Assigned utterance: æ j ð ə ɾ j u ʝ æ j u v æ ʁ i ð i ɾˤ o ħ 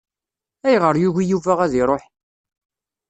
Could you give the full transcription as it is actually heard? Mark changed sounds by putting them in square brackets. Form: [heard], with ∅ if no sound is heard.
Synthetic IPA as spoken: æ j [ʁ] ə ɾ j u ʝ [i] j u v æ ʁ [æ] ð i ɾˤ o ħ